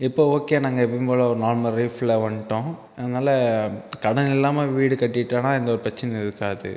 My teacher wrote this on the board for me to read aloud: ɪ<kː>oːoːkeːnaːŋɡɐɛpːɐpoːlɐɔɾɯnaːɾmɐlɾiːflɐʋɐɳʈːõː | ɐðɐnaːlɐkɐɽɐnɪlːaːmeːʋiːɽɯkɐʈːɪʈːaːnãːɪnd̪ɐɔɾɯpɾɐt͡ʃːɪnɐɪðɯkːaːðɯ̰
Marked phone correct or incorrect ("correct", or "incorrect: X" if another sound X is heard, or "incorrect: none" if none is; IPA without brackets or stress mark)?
incorrect: pː